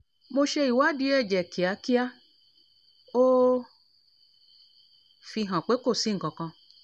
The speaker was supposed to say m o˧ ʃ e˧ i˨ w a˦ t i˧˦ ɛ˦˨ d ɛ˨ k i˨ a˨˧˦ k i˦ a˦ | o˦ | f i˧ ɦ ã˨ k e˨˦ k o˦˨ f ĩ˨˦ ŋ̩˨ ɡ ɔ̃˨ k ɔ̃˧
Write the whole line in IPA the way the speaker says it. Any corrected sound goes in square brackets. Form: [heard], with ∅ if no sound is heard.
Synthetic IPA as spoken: m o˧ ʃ e˧ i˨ w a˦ [d] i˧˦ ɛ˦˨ [d͡ʒ] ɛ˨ k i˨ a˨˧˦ k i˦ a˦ | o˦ | f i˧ ɦ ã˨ [k͡p] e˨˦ k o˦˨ [s] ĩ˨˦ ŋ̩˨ [k] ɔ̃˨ k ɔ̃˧